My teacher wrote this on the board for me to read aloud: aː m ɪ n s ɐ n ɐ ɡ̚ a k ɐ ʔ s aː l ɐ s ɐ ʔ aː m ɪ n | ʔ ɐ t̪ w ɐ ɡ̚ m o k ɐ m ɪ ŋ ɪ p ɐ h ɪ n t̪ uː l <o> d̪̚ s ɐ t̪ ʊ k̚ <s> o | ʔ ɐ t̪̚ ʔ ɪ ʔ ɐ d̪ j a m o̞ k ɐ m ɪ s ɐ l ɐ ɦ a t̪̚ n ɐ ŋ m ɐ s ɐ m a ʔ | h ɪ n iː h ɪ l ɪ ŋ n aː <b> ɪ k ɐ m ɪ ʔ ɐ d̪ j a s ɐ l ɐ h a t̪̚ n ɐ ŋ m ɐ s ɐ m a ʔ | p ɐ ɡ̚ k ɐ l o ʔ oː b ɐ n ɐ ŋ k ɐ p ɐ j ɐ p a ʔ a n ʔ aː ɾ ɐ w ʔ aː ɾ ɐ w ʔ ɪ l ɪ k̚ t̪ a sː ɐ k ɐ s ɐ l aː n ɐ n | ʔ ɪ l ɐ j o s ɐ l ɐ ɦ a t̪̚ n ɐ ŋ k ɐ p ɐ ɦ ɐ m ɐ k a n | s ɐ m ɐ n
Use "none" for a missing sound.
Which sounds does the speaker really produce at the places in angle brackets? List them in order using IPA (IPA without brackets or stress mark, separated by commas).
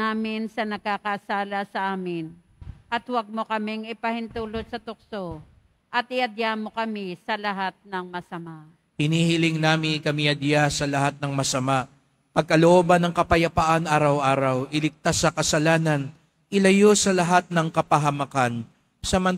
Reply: o, s, m